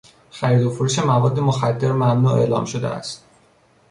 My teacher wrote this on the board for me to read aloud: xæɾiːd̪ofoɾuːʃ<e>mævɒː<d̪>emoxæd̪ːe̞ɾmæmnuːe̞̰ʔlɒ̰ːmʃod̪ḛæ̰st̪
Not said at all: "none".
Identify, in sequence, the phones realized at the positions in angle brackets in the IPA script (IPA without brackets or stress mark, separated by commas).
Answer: e, d̪ː